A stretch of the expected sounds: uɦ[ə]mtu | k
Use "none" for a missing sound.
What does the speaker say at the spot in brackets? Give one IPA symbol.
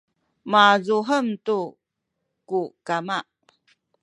ə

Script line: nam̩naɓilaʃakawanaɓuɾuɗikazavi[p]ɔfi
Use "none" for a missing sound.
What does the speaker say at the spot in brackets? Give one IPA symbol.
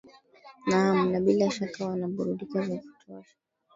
t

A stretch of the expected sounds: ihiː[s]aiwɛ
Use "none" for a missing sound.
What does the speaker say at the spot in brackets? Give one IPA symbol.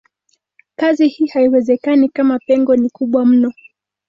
h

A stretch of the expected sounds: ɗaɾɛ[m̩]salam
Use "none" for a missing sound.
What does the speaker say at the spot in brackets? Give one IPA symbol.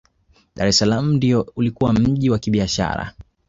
none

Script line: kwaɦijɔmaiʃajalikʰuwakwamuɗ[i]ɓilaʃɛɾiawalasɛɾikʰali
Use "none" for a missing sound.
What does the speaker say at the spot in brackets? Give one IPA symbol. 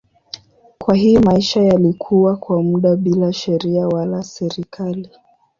a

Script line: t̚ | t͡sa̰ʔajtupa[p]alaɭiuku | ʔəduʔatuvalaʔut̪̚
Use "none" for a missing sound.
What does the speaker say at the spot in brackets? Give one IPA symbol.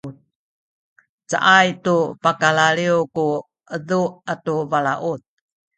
k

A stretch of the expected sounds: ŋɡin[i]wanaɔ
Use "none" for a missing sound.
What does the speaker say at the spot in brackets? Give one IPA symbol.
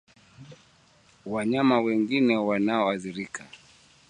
ɛ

